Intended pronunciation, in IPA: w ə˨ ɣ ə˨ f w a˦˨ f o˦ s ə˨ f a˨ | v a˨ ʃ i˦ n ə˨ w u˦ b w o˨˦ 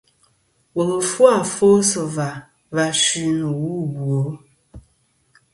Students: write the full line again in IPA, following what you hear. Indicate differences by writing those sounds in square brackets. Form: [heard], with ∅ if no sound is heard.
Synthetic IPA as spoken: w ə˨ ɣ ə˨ f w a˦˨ f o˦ s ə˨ [v] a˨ | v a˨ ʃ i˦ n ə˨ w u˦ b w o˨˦